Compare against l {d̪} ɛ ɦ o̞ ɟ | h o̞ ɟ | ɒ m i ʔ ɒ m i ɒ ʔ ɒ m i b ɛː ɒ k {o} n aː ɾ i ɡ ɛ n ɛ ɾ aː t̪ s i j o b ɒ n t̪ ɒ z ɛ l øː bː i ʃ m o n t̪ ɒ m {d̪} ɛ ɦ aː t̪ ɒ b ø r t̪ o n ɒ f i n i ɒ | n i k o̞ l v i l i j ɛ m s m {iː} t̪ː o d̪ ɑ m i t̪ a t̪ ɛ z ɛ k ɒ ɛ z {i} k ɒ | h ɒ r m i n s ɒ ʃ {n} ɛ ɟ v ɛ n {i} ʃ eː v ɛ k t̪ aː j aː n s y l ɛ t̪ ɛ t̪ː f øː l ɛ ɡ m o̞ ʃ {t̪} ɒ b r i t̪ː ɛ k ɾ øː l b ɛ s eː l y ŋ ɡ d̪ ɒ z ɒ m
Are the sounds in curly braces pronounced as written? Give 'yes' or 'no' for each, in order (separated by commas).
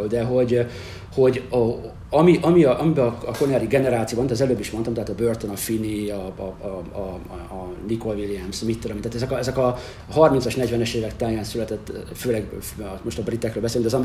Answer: yes, yes, no, no, no, yes, no, yes